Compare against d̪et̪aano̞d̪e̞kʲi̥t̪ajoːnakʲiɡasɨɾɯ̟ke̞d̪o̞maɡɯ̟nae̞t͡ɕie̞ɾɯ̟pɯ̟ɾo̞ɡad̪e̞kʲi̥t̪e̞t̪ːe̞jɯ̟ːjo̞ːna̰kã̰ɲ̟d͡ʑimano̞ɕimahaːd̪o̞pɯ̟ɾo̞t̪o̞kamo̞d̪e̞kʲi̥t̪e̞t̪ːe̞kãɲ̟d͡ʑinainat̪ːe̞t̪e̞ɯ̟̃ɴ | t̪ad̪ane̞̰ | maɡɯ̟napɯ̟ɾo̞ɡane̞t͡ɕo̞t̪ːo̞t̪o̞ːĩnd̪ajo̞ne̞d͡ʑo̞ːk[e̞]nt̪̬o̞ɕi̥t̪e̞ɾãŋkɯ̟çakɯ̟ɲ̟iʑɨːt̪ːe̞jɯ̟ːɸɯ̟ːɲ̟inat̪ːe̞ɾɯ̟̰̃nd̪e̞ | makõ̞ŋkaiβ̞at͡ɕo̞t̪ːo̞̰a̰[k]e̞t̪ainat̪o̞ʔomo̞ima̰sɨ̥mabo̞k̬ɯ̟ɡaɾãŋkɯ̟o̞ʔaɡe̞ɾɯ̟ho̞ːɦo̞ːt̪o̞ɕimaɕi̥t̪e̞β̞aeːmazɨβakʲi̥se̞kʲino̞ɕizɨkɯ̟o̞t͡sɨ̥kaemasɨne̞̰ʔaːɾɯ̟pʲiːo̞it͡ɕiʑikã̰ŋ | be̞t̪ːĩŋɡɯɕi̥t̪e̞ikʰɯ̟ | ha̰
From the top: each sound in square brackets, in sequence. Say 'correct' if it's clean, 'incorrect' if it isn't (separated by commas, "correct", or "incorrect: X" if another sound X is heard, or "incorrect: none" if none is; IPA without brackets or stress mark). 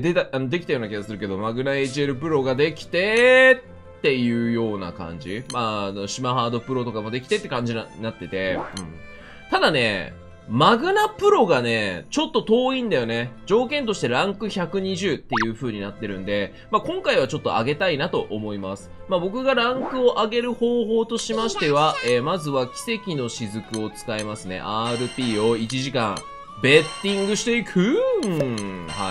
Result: incorrect: ẽ̞, incorrect: ɡ